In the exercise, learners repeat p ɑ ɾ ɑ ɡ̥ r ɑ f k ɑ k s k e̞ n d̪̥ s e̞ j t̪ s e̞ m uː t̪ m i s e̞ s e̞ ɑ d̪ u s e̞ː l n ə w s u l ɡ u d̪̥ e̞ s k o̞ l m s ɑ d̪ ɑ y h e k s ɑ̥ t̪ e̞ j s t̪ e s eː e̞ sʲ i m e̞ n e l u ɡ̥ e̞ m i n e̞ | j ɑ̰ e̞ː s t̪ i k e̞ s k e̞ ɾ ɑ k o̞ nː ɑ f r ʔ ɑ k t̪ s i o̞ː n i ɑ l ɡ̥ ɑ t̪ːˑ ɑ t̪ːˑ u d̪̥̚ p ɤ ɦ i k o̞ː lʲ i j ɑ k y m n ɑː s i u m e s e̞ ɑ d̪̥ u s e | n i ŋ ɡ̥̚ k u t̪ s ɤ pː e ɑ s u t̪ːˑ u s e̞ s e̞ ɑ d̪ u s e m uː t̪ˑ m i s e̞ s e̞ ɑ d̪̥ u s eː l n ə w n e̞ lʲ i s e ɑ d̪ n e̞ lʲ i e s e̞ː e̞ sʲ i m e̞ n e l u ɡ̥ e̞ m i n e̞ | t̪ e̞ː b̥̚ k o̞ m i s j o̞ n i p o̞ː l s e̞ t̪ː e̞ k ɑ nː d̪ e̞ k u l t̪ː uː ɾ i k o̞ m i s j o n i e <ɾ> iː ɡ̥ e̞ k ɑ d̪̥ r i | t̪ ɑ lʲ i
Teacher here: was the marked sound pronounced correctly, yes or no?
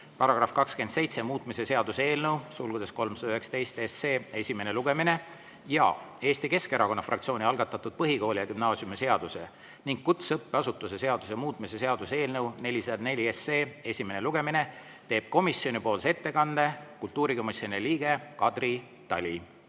no